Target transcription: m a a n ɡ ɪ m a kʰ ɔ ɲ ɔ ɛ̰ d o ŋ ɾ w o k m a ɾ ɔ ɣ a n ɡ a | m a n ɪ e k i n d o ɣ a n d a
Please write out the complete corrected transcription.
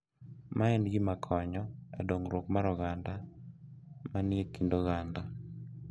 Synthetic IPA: m a ɛ n ɡ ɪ m a kʰ ɔ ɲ ɔ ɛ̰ d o ŋ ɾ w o k m a ɾ ɔ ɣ a n d a | m a n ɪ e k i n d o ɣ a n d a